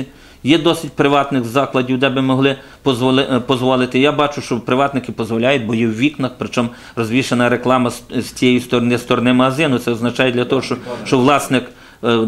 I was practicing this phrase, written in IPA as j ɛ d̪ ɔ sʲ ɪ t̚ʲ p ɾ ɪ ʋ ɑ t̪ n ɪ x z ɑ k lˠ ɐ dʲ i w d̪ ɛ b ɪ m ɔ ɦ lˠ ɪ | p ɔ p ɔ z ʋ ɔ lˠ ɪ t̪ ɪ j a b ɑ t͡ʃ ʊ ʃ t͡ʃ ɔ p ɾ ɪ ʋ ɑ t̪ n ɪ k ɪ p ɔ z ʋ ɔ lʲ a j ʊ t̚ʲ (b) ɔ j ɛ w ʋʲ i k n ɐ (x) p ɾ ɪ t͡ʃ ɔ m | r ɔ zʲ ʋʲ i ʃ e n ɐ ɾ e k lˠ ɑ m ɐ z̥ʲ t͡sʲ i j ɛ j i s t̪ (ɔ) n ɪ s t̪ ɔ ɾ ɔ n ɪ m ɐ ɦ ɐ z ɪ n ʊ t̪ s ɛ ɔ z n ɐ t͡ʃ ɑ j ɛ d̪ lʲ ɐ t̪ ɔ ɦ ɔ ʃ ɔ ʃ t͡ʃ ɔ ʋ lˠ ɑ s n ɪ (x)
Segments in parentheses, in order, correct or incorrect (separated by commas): correct, correct, correct, incorrect